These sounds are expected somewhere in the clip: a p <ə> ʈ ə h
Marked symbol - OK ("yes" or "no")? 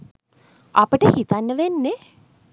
yes